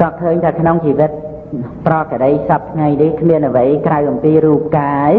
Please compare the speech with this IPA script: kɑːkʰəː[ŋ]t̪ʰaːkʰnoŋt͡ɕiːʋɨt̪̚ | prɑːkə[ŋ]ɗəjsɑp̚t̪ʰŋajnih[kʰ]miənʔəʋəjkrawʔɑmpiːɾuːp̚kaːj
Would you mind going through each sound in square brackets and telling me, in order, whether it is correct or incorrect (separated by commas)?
incorrect, incorrect, correct